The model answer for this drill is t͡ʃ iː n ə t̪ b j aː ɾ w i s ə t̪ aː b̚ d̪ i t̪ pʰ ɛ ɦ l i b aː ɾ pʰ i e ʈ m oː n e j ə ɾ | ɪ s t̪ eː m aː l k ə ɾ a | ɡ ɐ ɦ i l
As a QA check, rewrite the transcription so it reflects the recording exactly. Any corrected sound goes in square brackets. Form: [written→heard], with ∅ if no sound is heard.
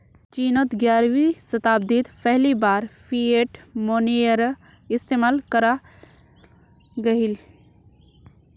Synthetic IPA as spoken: t͡ʃ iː n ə t̪ [b→ɡ] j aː ɾ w i s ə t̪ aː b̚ d̪ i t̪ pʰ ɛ ɦ l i b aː ɾ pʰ i e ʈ m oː n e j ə ɾ | ɪ s t̪ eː m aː l k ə ɾ a | ɡ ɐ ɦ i l